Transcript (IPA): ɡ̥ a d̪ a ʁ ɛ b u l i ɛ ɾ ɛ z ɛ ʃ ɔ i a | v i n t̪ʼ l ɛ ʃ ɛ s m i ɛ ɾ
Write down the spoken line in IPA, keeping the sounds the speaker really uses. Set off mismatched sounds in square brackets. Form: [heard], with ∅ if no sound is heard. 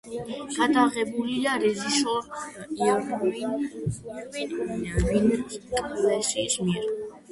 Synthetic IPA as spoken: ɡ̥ a d̪ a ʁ ɛ b u l i [a] ɾ ɛ z [i] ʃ ɔ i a | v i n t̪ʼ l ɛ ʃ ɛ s m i ɛ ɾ